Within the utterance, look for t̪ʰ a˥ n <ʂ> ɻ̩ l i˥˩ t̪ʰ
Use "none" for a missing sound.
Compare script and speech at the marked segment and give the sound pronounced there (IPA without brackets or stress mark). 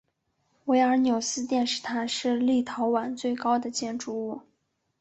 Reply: ʂ